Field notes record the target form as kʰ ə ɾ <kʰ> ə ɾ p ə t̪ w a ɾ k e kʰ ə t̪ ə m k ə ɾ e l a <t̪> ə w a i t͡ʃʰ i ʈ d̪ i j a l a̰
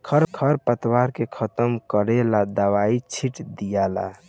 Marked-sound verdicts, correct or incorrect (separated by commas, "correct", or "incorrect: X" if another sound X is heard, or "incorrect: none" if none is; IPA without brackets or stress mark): correct, incorrect: d̪